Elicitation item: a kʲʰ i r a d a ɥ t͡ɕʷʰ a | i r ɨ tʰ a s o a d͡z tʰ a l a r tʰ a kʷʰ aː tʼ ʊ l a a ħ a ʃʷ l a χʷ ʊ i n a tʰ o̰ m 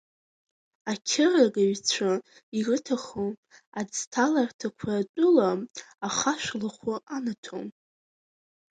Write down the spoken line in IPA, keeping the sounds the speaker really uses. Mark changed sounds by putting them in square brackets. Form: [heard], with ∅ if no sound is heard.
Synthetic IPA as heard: a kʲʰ [ɪ] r a [ɡ] a ɥ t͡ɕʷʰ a | i r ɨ tʰ a [χ] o a d͡z tʰ a l a r tʰ a kʷʰ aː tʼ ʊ l a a [χ] a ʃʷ l a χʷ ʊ [a] n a tʰ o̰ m